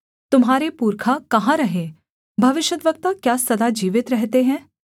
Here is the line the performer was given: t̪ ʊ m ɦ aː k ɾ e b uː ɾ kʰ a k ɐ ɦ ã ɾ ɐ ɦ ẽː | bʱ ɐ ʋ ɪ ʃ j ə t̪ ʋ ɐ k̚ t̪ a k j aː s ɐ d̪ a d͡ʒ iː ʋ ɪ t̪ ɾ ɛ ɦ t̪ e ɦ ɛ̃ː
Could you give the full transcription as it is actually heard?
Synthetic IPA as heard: t̪ ʊ m ɦ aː ɾ e p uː ɾ kʰ a k ɐ ɦ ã ɾ ɐ ɦ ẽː | bʱ ɐ ʋ ɪ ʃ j ə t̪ ʋ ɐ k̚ t̪ a k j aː s ɐ d̪ a d͡ʒ iː ʋ ɪ t̪ ɾ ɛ ɦ t̪ e ɦ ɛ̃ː